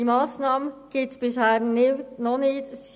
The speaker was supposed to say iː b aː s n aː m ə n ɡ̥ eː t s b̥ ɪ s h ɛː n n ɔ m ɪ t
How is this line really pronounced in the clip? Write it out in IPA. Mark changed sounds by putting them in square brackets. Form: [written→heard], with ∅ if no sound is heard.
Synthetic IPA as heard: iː [b→m] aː s n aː m ə n ɡ̥ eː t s b̥ ɪ s h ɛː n n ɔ [m→n] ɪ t